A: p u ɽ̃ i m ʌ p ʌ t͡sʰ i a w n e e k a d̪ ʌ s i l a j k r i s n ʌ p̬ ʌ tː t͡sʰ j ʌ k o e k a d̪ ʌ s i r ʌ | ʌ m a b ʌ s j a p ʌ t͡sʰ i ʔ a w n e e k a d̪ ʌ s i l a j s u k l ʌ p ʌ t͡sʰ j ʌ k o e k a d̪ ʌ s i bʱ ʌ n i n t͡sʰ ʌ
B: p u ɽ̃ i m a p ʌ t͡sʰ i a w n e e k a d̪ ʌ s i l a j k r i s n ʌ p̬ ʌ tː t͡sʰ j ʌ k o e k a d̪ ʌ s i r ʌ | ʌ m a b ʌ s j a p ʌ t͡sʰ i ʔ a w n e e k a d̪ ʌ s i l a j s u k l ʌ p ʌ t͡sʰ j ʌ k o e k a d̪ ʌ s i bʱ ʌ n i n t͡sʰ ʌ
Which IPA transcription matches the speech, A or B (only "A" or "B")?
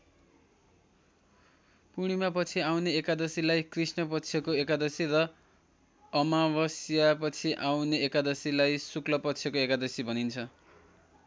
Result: B